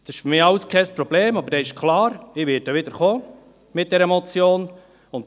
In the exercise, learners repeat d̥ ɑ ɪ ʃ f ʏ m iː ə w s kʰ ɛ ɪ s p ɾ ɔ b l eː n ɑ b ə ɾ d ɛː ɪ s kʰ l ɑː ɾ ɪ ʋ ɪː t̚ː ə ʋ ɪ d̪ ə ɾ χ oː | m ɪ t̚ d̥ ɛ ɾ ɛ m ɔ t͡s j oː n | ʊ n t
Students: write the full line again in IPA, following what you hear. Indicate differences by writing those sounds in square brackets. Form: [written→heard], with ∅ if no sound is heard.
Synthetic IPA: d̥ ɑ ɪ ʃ f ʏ m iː [ə→ɑ] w s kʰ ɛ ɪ s p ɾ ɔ b l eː [n→m] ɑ b ə ɾ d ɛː ɪ [s→ʃ] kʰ l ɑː ɾ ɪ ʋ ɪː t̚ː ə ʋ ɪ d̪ ə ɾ χ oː | m ɪ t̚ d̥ ɛ ɾ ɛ m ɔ t͡s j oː n | ʊ n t

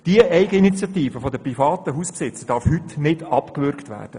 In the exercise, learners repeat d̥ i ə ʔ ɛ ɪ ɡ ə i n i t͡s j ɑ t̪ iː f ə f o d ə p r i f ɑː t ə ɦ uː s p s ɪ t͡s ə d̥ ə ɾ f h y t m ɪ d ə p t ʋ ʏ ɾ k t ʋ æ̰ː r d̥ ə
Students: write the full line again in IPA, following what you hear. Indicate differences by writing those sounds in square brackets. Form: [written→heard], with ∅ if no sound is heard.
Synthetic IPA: d̥ i ə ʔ ɛ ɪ ɡ ə i n i t͡s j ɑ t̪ iː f ə f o d ə p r i f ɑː t ə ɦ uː s p s ɪ t͡s ə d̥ [ə→ɑ] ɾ f h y t [m→n] ɪ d [ə→ɑ] p [t→k] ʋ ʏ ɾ k t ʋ æ̰ː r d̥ ə

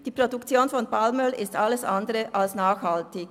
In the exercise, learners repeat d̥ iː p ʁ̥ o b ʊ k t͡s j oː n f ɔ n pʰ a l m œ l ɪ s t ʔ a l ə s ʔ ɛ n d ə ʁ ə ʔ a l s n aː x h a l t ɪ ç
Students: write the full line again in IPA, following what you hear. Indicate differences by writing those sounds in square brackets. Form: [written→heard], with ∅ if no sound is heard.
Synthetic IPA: d̥ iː p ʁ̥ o [b→d] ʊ k t͡s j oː n f ɔ n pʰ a l m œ l ɪ s t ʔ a l ə s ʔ [ɛ→a] n d ə ʁ ə ʔ a l s n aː x h a l t ɪ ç

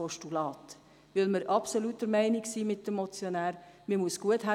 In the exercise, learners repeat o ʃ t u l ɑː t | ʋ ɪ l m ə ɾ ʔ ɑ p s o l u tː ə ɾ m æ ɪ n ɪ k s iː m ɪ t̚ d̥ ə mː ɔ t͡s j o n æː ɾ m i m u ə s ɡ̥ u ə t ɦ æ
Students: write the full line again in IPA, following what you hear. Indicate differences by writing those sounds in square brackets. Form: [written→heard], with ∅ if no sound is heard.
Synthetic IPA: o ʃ t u l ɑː t | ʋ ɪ l m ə ɾ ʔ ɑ p s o l u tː ə ɾ m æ ɪ n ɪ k s iː m ɪ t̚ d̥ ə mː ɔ t͡s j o n æː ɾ m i m u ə s ɡ̥ u ə t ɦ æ

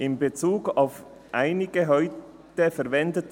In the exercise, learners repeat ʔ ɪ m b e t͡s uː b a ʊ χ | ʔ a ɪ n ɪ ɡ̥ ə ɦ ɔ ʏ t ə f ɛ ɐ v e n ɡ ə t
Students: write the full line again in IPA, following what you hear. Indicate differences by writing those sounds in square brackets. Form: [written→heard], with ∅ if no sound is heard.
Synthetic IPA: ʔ ɪ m b e t͡s uː [b→ɡ] a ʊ [χ→f] | ʔ a ɪ n ɪ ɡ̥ ə ɦ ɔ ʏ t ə f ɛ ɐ v [e→ɛ] n [ɡ→d] ə t

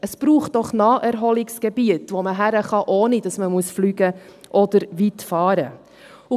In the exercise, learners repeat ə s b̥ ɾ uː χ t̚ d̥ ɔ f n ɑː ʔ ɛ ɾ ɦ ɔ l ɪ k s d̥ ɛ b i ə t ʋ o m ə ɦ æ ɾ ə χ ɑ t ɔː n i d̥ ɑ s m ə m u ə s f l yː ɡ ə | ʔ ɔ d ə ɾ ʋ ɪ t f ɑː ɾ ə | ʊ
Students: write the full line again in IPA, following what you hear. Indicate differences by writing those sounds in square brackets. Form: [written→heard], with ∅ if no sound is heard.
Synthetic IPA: ə s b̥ ɾ uː χ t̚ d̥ ɔ [f→χ] n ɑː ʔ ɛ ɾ ɦ ɔ l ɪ k s [d̥→ɡ̥] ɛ b i ə t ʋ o m ə ɦ æ ɾ ə χ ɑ [t→ʔ] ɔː n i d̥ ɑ s m ə m u ə s f l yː ɡ ə | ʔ ɔ d ə ɾ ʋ [ɪ→i] t f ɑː ɾ ə | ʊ

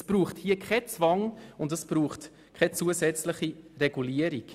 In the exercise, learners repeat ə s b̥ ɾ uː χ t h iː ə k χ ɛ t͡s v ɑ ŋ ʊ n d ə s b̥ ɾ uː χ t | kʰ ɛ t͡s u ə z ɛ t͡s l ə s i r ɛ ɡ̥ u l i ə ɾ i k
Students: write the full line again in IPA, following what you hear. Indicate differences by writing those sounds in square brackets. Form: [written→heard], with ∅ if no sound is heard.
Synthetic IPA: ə s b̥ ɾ uː χ t h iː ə k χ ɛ t͡s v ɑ ŋ ʊ n d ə s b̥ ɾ uː χ t | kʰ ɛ t͡s u ə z ɛ t͡s l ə [s→χ] i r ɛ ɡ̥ u l i ə ɾ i k

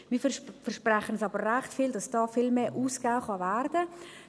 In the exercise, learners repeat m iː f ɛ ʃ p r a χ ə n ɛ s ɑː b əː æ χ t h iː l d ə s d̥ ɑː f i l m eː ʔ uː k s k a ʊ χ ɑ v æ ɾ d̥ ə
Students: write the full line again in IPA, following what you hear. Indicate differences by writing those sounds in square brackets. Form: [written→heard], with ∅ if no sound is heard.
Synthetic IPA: m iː f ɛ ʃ p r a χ ə n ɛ s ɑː b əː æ χ t [h→f] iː l d [ə→ɑ] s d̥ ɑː f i l m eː ʔ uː [k→∅] s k a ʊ χ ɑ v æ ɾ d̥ ə

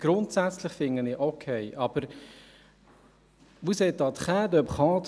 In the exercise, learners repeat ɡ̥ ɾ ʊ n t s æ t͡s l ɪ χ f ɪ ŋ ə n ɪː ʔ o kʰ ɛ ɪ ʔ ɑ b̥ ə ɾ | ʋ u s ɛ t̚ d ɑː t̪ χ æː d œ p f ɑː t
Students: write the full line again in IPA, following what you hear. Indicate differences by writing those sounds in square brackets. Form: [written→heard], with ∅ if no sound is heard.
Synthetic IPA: ɡ̥ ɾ ʊ n t s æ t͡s l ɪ χ f ɪ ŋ ə n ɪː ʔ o kʰ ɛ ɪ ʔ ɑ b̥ ə ɾ | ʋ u s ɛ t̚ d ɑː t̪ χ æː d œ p [f→χ] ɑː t

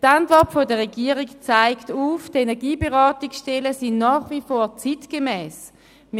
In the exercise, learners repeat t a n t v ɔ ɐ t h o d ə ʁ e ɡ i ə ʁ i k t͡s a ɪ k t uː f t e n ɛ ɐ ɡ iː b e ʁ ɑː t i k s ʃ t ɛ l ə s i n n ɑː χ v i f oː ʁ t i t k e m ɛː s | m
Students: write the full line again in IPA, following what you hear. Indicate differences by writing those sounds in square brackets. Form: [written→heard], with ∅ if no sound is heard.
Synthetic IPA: t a n t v ɔ ɐ t [h→f] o d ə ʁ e ɡ i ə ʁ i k t͡s a ɪ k t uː f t e n ɛ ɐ ɡ iː b e ʁ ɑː t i k s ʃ t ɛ l ə s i n n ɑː χ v i f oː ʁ [t→t͡s] i t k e m ɛː s | m

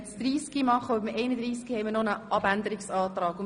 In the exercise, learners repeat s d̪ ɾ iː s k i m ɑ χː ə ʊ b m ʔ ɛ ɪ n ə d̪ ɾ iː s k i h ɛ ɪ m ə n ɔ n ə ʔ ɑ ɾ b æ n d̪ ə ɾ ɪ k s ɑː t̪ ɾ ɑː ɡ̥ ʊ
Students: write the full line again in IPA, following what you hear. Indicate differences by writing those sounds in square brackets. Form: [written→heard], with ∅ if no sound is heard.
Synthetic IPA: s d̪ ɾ iː s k i m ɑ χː ə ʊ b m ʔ ɛ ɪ n ə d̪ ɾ iː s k i h ɛ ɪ m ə n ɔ n ə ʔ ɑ [ɾ→∅] b æ n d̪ ə ɾ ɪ k s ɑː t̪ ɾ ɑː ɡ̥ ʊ

